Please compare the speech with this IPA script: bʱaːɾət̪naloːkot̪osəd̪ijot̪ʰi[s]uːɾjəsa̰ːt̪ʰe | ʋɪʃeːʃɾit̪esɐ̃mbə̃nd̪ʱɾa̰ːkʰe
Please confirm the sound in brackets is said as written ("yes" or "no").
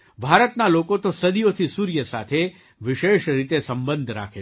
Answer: yes